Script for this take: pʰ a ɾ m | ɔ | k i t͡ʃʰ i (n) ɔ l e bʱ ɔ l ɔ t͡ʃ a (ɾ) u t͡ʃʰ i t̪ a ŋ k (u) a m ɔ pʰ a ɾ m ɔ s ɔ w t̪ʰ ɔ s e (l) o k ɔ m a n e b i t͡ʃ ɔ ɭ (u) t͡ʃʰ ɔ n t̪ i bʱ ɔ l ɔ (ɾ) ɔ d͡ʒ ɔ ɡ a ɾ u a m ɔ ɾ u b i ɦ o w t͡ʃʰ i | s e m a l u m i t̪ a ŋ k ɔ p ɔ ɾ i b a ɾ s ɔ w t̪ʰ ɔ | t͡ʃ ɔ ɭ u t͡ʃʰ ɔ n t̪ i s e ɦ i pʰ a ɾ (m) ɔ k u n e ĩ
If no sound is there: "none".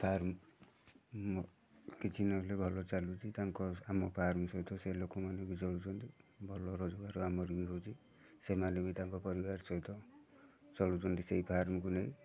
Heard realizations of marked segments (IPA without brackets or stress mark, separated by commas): n, l, ɔ, l, u, ɾ, m